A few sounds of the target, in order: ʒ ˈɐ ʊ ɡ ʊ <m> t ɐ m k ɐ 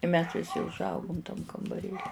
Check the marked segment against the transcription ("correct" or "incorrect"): correct